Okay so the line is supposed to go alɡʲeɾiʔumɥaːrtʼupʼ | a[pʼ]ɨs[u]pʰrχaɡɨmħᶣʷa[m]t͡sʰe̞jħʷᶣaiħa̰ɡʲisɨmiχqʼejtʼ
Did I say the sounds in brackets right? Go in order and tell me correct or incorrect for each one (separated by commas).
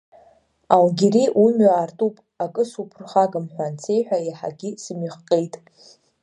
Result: incorrect, correct, incorrect